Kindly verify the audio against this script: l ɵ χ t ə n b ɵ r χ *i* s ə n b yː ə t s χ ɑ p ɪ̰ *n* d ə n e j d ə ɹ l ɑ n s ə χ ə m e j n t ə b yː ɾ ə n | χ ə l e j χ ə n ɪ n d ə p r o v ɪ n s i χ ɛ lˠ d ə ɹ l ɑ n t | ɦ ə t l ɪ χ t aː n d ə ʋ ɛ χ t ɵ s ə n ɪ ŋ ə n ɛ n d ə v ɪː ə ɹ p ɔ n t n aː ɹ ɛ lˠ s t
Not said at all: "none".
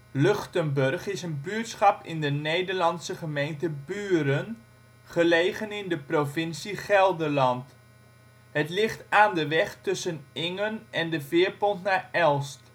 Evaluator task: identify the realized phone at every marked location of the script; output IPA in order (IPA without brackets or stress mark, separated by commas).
ɪ, n